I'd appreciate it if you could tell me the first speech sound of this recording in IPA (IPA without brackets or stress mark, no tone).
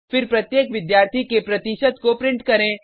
f